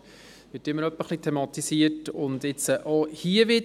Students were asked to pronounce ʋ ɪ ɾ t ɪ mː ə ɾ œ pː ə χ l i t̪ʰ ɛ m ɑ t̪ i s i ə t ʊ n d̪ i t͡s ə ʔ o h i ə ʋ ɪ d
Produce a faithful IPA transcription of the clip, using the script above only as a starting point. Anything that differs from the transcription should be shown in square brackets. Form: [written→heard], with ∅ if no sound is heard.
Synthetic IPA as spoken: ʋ ɪ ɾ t ɪ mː ə ɾ œ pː ə χ l i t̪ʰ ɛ m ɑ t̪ i s i ə t ʊ n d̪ [i→ɪ] t͡s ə ʔ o h i ə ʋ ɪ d